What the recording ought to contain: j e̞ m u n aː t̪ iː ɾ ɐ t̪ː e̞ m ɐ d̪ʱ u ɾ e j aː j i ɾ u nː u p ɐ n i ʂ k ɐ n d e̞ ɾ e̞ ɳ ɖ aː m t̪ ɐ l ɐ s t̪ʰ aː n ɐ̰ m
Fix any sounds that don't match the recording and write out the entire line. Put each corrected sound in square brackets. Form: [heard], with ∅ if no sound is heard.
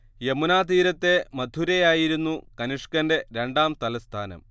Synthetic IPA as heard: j e̞ m u n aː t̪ iː ɾ ɐ t̪ː e̞ m ɐ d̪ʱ u ɾ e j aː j i ɾ u nː u [k] ɐ n i ʂ k ɐ n d e̞ ɾ e̞ ɳ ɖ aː m t̪ ɐ l ɐ s t̪ʰ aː n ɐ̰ m